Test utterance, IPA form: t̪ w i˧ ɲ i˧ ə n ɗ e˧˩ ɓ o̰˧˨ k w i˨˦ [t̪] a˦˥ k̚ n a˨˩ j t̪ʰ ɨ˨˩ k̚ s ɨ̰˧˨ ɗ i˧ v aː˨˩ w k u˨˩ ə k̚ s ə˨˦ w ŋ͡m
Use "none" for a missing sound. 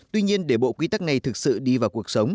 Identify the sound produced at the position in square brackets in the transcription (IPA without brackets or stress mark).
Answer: t̪